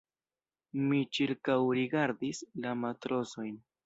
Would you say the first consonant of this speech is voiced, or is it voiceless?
voiced